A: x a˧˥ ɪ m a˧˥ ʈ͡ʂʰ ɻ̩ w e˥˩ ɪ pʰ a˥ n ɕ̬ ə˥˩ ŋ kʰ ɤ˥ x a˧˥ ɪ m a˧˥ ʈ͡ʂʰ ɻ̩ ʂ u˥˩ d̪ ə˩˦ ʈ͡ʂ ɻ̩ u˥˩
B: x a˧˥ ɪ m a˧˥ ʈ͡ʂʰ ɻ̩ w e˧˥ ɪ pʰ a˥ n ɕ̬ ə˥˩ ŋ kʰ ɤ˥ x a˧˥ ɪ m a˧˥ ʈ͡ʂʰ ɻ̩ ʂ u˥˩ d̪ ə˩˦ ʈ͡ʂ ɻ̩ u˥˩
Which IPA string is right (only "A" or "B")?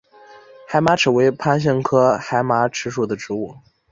B